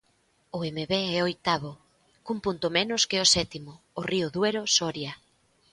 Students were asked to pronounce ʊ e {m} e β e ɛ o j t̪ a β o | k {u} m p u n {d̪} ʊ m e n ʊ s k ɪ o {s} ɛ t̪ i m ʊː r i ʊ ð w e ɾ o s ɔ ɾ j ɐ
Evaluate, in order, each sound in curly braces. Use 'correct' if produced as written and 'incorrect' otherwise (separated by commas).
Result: correct, correct, incorrect, correct